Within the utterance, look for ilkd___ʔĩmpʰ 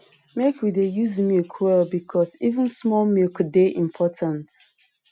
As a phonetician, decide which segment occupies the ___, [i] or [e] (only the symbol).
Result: e